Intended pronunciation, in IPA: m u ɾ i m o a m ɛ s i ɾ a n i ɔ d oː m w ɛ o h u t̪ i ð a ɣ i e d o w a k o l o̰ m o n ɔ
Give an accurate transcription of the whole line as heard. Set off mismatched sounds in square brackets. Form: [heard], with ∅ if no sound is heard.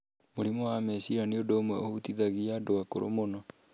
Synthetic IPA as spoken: m [o] ɾ i m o a m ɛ s i ɾ a n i [o] d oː m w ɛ o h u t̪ i ð a ɣ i [a] d o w a k o [ɾ] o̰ m o n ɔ